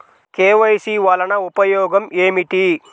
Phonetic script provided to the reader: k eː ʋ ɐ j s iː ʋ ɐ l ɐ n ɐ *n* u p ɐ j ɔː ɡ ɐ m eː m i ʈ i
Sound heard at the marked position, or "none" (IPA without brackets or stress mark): none